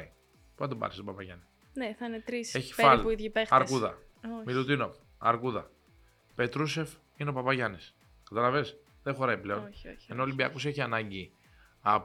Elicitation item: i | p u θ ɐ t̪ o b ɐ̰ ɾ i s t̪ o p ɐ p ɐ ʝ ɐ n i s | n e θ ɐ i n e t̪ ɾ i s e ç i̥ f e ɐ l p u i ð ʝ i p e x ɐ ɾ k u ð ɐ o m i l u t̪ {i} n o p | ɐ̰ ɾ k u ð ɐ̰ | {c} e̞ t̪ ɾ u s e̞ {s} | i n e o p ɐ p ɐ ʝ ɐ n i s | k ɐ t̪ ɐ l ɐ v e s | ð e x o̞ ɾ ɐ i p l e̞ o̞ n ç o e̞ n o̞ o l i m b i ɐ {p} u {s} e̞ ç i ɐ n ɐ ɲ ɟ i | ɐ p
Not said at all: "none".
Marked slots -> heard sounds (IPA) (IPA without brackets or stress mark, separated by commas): i, p, f, k, s